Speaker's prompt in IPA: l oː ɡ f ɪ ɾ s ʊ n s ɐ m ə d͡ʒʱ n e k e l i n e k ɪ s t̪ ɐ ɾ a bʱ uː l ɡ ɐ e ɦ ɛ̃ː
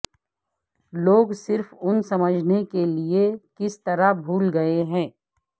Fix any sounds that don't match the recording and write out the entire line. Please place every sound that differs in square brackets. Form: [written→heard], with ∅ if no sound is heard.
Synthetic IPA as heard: l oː ɡ [f→s] ɪ ɾ [s→f] ʊ n s ɐ m ə d͡ʒʱ n e k e l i [n→∅] e k ɪ s t̪ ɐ ɾ a bʱ uː l ɡ ɐ e ɦ ɛ̃ː